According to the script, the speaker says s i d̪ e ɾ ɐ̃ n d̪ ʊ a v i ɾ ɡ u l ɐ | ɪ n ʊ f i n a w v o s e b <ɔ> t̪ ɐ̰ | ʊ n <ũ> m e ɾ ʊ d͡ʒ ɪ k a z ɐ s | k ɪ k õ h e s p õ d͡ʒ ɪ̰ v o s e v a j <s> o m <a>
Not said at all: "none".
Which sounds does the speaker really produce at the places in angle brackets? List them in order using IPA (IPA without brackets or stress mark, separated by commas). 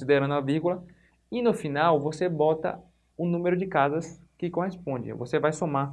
ɔ, ũ, s, a